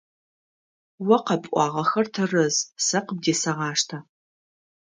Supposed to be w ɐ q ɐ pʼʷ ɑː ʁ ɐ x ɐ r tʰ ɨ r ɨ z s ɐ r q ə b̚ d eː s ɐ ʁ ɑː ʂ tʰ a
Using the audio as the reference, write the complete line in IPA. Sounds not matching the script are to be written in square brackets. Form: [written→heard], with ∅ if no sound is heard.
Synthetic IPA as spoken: w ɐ q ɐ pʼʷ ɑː ʁ ɐ x ɐ r tʰ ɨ r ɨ z s ɐ [r→∅] q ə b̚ d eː s ɐ ʁ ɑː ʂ tʰ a